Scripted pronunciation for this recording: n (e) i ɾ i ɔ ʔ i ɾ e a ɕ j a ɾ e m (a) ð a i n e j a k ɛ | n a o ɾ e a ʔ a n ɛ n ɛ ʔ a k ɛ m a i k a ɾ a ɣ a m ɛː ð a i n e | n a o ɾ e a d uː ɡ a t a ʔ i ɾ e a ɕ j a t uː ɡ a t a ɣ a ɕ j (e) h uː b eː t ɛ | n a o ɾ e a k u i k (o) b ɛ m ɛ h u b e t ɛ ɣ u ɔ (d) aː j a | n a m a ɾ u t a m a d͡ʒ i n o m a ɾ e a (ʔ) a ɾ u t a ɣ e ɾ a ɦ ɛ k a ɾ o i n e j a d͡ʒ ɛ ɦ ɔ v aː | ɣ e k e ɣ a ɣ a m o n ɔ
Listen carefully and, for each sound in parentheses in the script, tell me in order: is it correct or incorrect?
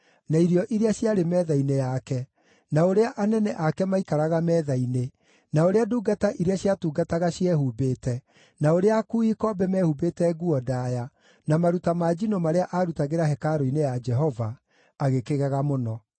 incorrect, incorrect, incorrect, incorrect, correct, correct

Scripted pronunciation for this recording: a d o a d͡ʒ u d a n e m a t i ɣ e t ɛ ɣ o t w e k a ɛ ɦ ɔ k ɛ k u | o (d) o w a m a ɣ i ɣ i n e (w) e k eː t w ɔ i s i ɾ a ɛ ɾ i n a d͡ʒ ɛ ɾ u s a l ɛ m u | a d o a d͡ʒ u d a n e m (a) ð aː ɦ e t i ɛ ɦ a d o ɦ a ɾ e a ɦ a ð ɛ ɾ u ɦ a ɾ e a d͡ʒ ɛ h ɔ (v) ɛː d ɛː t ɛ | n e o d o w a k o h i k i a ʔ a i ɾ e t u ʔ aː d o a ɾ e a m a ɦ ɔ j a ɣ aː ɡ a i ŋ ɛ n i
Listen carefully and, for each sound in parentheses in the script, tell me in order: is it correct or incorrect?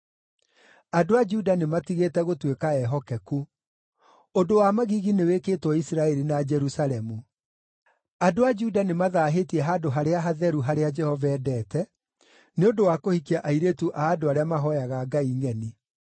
correct, correct, correct, correct

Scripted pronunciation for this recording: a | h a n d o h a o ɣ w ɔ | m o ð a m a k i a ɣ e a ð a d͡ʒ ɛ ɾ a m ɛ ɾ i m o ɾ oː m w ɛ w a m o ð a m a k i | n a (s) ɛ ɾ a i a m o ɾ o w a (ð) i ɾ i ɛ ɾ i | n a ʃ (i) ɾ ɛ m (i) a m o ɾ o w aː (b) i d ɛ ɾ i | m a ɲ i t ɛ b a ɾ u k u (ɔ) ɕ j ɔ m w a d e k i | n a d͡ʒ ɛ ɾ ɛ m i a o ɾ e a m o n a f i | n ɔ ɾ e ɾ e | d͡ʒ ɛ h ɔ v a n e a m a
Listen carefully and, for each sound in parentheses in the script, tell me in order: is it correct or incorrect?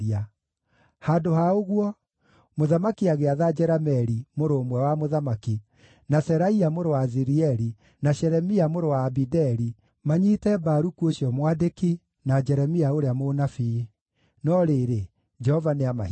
correct, incorrect, incorrect, correct, correct, incorrect

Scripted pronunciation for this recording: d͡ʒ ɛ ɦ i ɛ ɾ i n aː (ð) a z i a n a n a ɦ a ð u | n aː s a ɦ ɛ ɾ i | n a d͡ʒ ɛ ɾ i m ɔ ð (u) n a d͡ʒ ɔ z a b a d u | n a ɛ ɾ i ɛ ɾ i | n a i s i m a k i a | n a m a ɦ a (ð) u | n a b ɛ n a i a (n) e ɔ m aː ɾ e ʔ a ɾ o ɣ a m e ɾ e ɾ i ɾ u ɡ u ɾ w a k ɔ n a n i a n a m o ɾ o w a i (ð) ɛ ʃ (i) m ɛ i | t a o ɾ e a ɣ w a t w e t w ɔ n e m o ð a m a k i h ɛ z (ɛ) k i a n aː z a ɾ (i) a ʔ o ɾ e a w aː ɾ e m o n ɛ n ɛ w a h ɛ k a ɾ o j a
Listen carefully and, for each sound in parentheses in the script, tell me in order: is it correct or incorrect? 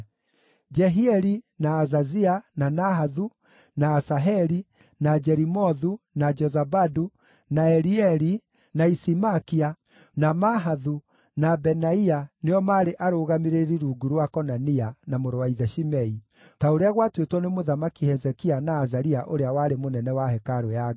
incorrect, correct, correct, correct, correct, correct, correct, correct

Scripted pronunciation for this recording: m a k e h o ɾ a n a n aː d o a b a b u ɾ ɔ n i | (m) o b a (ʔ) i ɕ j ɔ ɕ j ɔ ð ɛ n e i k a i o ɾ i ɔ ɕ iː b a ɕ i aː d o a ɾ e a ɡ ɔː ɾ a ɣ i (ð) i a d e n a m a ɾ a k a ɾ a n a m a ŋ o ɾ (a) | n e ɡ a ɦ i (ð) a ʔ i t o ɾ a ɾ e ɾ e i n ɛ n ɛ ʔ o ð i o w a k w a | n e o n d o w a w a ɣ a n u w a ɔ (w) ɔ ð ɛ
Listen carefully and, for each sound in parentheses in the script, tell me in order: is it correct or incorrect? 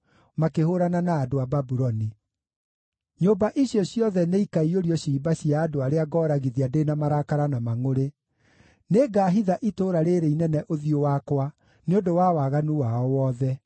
incorrect, correct, correct, incorrect, correct, correct

